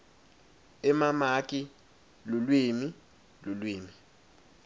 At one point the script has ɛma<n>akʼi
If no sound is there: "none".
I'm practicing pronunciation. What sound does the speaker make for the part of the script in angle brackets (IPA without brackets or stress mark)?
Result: m